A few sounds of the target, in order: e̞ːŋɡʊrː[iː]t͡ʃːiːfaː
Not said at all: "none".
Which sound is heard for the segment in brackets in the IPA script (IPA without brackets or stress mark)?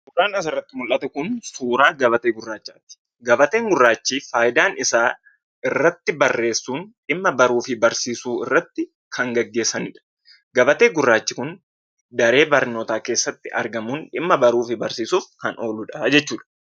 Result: aː